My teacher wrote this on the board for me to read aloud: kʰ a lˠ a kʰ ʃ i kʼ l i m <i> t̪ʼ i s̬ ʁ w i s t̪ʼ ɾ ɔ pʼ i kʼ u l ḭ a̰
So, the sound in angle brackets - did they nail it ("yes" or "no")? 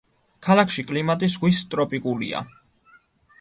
no